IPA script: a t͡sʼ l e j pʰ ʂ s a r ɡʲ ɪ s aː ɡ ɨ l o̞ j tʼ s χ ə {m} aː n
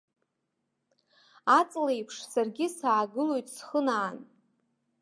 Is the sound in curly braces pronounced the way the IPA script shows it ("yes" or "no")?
no